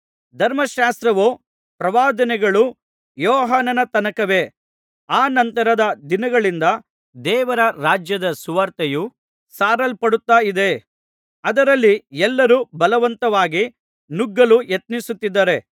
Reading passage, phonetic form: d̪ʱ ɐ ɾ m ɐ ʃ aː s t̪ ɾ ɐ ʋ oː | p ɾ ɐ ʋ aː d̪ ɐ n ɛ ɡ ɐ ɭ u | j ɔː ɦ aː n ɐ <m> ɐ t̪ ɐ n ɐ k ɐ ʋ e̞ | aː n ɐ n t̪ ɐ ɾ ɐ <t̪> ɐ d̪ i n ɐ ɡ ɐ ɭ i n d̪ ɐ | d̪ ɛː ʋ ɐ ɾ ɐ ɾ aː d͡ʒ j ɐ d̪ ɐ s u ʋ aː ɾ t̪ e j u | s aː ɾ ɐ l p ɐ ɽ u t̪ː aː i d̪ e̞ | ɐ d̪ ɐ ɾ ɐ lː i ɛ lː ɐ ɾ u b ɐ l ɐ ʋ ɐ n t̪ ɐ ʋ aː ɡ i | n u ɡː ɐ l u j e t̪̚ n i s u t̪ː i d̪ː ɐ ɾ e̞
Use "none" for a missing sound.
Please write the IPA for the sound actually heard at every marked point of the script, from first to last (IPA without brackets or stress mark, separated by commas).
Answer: n, d̪